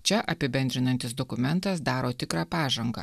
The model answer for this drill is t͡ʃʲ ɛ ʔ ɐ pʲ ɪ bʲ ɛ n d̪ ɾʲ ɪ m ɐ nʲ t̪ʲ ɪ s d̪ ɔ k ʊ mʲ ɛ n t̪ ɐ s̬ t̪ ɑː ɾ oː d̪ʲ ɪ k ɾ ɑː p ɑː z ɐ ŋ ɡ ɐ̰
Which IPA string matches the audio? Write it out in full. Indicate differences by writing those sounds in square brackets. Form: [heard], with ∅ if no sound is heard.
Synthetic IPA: t͡ʃʲ ɛ ʔ ɐ pʲ ɪ bʲ ɛ n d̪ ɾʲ ɪ [n] ɐ nʲ t̪ʲ ɪ s d̪ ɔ k ʊ mʲ ɛ n t̪ ɐ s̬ [d̪] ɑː ɾ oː [t̪ʲ] ɪ k ɾ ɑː p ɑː [ʒ] ɐ ŋ ɡ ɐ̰